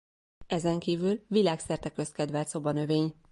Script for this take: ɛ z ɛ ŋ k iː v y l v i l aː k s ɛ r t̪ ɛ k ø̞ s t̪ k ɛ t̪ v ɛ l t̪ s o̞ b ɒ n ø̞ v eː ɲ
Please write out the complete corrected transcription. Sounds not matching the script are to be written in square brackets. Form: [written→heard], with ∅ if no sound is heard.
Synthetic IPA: ɛ z ɛ ŋ k iː v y l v i l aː k s ɛ r t̪ ɛ k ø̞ s t̪ k ɛ [t̪→d̪] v ɛ l t̪ s o̞ b ɒ n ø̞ v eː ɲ